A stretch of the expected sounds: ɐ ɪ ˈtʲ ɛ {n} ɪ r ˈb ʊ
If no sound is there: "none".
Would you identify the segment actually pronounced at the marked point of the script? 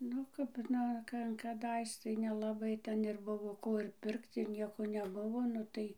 n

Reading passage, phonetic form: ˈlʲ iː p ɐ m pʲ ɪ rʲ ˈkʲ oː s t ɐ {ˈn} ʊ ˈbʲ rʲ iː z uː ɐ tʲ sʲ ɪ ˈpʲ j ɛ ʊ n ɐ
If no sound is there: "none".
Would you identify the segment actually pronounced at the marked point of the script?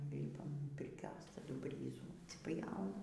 d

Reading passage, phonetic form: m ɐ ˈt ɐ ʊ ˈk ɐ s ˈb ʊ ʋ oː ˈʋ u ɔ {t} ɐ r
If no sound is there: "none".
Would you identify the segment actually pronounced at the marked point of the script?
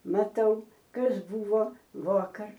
k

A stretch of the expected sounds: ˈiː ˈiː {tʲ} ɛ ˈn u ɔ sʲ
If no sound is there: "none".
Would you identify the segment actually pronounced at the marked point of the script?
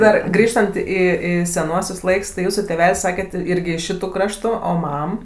sʲ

